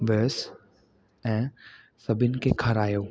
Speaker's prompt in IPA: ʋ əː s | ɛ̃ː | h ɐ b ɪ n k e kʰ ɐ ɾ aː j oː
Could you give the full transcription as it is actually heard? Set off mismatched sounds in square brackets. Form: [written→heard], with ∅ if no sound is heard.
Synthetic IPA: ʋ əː s | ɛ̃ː | [h→s] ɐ b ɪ n k e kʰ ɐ ɾ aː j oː